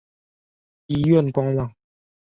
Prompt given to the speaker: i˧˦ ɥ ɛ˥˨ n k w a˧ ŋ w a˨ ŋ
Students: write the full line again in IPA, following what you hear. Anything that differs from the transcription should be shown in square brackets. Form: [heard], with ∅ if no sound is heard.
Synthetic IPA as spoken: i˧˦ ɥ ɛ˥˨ n k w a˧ ŋ w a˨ ŋ